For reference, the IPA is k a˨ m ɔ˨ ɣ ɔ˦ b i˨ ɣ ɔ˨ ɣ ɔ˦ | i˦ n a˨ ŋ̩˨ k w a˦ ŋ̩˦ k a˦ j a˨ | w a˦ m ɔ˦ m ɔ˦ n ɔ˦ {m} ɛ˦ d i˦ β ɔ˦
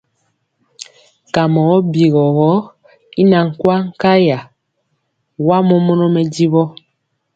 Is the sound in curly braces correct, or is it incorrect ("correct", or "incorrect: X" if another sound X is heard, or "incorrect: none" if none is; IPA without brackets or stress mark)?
correct